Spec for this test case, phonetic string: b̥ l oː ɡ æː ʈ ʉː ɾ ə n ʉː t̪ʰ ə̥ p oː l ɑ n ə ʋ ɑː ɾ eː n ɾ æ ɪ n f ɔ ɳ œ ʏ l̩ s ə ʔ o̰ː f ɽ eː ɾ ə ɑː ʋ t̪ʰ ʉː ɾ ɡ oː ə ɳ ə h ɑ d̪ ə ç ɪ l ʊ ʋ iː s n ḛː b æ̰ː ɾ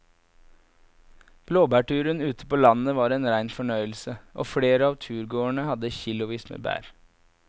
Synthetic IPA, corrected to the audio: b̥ l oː b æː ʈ ʉː ɾ ə n ʉː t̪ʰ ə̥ p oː l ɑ n ə ʋ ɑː ɾ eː n ɾ æ ɪ n f ɔ ɳ œ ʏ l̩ s ə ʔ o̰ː f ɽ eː ɾ ə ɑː ʋ t̪ʰ ʉː ɾ ɡ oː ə ɳ ə h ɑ d̪ ə ç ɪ l ʊ ʋ iː s m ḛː b æ̰ː ɾ

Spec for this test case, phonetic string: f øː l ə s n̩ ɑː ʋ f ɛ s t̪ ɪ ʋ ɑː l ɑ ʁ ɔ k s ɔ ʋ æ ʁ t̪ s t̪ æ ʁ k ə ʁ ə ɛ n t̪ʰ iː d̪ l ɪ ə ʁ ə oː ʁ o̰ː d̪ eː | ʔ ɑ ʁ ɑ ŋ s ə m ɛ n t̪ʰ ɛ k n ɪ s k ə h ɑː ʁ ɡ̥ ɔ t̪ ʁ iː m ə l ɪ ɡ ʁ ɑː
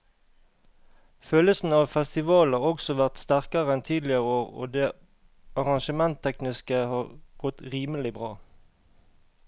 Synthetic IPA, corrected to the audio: f øː l ə s n̩ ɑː ʋ f ɛ s t̪ ɪ ʋ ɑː l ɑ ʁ ɔ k s ɔ ʋ æ ʁ t̪ s t̪ æ ʁ k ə ʁ ə ɛ n t̪ʰ iː d̪ l ɪ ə ʁ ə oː ʁ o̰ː d̪ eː | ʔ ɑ ʁ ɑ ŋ ʃ ə m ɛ n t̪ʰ ɛ k n ɪ s k ə h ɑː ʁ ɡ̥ ɔ t̪ ʁ iː m ə l ɪ b ʁ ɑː

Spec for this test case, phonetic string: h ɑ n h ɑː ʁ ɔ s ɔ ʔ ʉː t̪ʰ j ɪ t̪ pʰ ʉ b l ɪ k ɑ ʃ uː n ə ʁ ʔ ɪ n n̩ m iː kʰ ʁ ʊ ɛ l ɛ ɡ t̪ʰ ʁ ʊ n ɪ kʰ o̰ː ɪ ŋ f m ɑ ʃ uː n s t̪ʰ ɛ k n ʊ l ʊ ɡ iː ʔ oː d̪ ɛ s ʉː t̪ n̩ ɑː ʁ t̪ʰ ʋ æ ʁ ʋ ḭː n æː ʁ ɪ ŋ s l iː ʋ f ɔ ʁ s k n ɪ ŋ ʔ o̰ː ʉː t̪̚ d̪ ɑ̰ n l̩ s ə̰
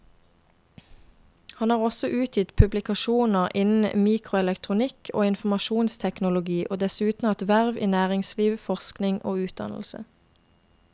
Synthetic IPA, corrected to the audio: h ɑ n h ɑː ʁ ɔ s ɔ ʔ ʉː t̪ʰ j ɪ t̪ pʰ ʉ b l ɪ k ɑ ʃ uː n ə ʁ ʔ ɪ n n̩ m iː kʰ ʁ ʊ ɛ l ɛ k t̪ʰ ʁ ʊ n ɪ kʰ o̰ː ɪ n f m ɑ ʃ uː n s t̪ʰ ɛ k n ʊ l ʊ ɡ iː ʔ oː d̪ ɛ s ʉː t̪ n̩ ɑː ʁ t̪ ʋ æ ʁ ʋ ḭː n æː ʁ ɪ ŋ s l iː ʋ f ɔ ʁ s k n ɪ ŋ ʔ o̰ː ʉː t̪̚ d̪ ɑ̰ n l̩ s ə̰

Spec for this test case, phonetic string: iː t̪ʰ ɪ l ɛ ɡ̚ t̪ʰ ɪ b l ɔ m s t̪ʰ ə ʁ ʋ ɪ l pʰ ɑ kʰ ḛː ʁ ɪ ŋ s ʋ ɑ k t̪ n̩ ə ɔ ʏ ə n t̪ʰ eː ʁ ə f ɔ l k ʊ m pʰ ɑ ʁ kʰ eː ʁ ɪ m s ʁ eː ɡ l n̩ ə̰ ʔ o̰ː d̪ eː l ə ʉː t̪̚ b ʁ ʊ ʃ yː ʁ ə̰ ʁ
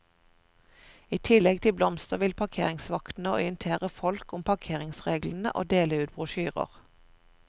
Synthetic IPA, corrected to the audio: iː t̪ʰ ɪ l ɛ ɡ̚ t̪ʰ ɪ b l ɔ m s t̪ ə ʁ ʋ ɪ l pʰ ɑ kʰ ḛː ʁ ɪ ŋ s ʋ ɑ k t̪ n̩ ə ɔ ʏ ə n t̪ʰ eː ʁ ə f ɔ l k ʊ m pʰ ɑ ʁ kʰ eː ʁ ɪ ŋ s ʁ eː ɡ l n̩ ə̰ ʔ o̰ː d̪ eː l ə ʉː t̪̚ b ʁ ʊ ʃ yː ʁ ə̰ ʁ

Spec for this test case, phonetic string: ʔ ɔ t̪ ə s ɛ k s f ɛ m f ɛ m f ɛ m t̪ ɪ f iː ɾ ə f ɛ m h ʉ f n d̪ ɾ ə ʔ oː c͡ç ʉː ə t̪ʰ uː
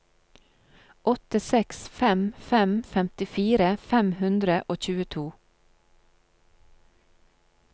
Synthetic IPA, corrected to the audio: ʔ ɔ t̪ ə s ɛ k s f ɛ m f ɛ m f ɛ m t̪ ɪ f iː ɾ ə f ɛ m h ʉ n d̪ ɾ ə ʔ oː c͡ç ʉː ə t̪ʰ uː

